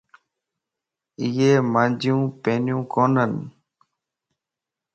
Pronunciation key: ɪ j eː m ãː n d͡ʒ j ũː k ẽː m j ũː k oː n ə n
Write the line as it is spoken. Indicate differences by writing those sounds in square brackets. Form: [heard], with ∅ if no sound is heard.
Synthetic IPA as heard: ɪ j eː m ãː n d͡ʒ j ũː [p] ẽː [n] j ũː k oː n ə n